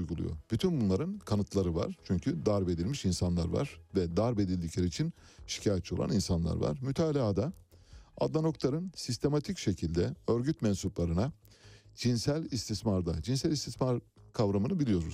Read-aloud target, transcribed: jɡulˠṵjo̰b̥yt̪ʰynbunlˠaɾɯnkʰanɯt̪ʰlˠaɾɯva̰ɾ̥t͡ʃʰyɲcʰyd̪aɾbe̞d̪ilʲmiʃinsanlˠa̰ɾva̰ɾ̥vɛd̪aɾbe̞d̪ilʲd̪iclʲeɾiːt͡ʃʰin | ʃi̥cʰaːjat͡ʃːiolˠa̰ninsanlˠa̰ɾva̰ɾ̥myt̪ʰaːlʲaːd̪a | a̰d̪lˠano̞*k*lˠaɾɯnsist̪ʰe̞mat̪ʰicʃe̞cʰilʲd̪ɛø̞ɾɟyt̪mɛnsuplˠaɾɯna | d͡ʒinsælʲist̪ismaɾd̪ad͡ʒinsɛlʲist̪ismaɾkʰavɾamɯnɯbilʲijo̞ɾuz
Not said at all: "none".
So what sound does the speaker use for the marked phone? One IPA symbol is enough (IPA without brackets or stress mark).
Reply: k